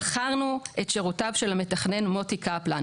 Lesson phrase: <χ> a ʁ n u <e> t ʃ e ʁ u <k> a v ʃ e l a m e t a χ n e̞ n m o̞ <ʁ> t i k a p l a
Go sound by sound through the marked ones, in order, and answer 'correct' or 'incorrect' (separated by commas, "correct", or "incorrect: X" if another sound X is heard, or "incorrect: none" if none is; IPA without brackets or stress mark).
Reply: correct, correct, incorrect: t, incorrect: none